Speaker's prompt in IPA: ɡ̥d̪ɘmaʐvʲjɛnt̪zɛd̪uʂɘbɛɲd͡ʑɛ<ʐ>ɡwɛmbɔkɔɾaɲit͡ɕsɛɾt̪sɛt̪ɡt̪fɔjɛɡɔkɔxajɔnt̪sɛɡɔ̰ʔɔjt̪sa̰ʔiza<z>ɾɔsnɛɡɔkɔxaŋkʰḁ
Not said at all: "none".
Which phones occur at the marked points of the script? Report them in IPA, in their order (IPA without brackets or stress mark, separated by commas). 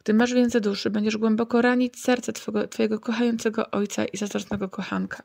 ʐ, z